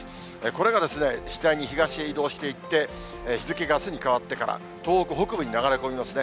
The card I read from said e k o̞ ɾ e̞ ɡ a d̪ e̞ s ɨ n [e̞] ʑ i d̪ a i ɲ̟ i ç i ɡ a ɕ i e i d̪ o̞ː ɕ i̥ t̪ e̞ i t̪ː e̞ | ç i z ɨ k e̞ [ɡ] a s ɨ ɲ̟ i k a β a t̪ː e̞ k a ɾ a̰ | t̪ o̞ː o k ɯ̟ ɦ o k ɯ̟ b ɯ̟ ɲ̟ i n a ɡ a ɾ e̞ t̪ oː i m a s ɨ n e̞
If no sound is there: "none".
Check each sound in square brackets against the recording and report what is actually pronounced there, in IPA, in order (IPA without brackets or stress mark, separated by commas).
e̞, ɡ